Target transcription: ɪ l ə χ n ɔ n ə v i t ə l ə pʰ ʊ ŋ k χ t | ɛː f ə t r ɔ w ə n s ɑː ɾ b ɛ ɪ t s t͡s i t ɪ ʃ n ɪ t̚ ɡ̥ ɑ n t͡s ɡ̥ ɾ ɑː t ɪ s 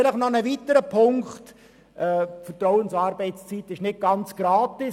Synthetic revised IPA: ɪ l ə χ n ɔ n ə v i t ə ɾ ə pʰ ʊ ŋ k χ t | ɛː f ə t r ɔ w ə n s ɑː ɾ b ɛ ɪ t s t͡s i t ɪ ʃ n ɪ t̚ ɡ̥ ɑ n t͡s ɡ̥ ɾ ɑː t ɪ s